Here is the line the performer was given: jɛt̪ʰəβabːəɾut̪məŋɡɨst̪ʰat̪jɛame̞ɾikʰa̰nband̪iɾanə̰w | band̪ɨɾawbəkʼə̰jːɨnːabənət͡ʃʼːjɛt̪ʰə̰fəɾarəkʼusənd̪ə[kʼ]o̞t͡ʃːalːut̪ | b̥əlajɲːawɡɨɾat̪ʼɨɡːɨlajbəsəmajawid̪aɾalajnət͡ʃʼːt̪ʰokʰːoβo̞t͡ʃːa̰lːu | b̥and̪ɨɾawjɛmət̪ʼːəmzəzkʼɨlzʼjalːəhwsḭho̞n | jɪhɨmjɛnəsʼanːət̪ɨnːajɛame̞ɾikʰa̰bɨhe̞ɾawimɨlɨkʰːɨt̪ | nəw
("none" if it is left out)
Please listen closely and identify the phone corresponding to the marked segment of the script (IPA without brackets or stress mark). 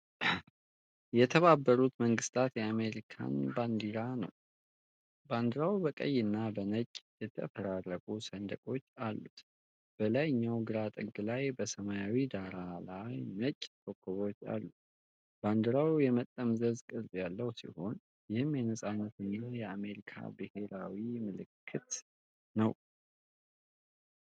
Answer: kʼ